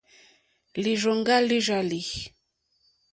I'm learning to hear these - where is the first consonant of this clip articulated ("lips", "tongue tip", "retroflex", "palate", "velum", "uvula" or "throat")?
tongue tip